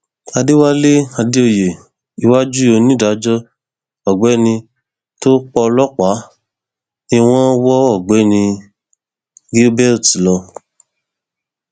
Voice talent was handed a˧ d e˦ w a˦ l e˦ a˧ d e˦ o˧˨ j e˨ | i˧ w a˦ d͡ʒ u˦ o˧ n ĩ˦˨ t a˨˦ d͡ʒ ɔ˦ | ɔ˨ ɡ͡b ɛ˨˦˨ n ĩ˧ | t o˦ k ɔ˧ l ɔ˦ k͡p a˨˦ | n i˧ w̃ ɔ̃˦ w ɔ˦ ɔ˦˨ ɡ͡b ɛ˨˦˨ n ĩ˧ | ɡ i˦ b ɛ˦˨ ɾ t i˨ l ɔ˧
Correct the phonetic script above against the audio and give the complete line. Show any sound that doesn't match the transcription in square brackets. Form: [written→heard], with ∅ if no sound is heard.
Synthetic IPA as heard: a˧ d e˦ w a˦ l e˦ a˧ d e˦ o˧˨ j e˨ | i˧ w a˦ d͡ʒ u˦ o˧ n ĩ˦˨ [t→d] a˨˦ d͡ʒ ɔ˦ | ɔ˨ ɡ͡b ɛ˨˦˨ n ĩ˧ | t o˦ [k→k͡p] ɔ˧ l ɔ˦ k͡p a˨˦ | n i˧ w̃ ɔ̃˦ w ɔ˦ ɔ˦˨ ɡ͡b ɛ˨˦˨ n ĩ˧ | ɡ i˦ b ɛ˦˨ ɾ t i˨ l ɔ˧